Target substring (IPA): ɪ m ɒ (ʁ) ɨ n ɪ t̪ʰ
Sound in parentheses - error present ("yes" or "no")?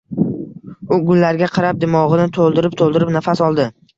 no